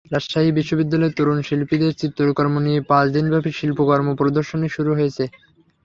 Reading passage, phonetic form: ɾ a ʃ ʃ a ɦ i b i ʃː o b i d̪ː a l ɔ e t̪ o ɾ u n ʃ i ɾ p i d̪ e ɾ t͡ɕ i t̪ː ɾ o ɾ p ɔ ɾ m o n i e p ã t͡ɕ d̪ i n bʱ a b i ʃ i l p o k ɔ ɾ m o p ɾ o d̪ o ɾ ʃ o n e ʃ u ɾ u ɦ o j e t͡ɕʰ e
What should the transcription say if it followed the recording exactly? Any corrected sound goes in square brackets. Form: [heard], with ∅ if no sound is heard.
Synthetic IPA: ɾ a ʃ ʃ a ɦ i b i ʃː o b i d̪ː a l ɔ e t̪ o ɾ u n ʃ i [l] p i d̪ e ɾ t͡ɕ i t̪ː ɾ o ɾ [k] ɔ ɾ m o n i e p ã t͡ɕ d̪ i n bʱ a b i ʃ i l p o k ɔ ɾ m o p ɾ o d̪ o ɾ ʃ o n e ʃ u ɾ u ɦ o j e t͡ɕʰ e